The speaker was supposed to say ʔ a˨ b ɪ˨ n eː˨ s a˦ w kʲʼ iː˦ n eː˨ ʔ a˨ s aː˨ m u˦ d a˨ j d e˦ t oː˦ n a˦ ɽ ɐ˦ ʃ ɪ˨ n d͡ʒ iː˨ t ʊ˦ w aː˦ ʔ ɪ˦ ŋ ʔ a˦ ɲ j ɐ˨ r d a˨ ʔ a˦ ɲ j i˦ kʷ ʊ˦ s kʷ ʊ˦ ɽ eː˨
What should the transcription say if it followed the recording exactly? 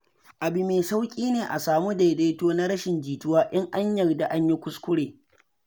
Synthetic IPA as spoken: ʔ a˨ b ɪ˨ m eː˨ s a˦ w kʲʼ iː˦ n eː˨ ʔ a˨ s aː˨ m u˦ d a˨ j d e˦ t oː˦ n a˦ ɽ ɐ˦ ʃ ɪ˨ n d͡ʒ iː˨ t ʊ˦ w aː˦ ʔ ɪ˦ ŋ ʔ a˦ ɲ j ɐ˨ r d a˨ ʔ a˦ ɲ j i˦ kʷ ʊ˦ s kʷ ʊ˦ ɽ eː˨